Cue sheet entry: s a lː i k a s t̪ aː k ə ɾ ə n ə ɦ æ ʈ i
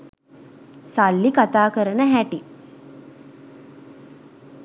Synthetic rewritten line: s a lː i k a t̪ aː k ə ɾ ə n ə ɦ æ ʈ i